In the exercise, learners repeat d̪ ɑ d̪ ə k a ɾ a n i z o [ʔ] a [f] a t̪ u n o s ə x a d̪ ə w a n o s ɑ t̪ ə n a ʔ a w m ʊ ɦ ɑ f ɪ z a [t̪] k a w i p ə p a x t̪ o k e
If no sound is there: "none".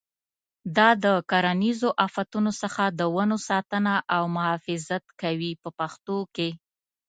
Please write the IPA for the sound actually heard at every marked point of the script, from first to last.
ʔ, f, t̪

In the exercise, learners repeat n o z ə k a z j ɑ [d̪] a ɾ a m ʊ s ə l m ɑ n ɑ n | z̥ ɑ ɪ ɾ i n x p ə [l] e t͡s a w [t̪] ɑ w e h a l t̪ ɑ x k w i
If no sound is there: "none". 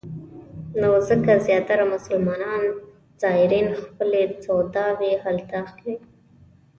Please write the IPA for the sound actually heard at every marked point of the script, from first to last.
t̪, l, d̪

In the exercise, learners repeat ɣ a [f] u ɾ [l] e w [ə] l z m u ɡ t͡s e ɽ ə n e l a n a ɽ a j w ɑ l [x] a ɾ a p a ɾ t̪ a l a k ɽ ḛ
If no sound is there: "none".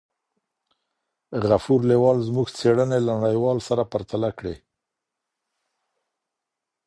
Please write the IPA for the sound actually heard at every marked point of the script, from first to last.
f, l, ɑ, s

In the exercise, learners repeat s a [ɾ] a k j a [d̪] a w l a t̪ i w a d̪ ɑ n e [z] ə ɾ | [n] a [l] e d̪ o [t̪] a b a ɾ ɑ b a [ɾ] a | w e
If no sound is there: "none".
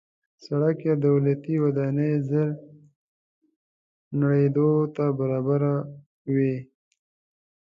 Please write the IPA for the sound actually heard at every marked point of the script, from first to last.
ɽ, d̪, z, n, ɽ, t̪, ɾ

